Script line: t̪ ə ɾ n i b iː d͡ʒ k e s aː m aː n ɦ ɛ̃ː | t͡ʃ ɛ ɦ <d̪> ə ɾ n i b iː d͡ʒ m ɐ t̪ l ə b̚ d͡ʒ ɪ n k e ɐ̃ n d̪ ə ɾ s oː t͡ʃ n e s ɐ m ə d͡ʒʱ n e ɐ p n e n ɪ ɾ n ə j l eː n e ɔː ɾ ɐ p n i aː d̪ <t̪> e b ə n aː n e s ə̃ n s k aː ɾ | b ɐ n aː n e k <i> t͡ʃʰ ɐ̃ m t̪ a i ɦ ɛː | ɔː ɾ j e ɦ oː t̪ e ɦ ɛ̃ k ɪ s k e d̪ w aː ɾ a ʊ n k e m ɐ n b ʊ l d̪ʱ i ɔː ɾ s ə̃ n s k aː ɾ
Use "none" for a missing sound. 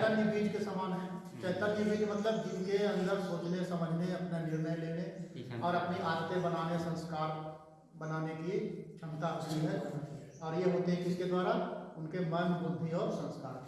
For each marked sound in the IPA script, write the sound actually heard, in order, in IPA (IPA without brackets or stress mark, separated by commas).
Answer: t̪, t̪, i